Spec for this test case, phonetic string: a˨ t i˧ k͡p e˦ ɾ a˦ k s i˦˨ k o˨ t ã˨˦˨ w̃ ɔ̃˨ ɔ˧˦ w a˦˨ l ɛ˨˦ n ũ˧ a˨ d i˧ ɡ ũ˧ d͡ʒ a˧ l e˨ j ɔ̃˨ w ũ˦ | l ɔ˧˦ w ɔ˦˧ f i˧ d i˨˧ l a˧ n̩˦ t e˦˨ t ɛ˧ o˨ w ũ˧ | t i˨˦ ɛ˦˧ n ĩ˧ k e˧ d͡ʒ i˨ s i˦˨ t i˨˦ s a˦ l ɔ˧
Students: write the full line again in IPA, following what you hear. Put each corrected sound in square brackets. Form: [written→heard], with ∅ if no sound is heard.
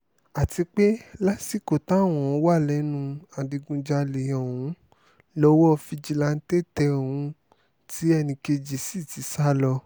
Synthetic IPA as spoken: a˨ t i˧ k͡p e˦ [ɾ→l] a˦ [k→∅] s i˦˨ k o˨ t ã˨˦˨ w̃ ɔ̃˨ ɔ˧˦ w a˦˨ l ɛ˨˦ n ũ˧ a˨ d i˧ ɡ ũ˧ d͡ʒ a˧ l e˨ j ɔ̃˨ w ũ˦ | l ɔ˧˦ w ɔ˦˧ f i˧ [d→d͡ʒ] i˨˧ l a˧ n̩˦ t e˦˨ t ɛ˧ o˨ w ũ˧ | t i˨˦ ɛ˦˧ n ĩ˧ k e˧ d͡ʒ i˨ s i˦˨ t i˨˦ s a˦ l ɔ˧